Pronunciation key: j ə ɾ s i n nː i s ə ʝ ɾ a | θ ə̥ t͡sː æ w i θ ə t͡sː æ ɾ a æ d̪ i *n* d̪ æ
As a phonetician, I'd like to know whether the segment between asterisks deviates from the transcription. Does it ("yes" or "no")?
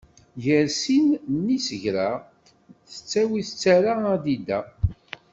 yes